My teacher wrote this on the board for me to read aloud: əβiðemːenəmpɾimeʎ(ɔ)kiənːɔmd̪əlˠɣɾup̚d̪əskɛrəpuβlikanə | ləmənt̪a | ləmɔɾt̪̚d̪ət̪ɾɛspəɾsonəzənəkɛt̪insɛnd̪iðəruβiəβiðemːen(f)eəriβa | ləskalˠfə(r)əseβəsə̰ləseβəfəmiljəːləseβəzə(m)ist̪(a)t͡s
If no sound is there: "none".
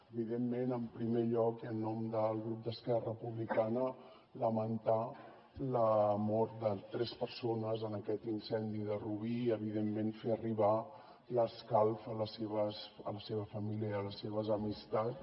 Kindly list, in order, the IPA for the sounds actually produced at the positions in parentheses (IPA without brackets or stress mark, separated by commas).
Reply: ɔ, f, l, m, a